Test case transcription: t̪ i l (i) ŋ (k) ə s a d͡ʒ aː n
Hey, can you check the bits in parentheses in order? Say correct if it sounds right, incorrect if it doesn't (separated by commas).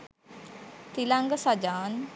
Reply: incorrect, incorrect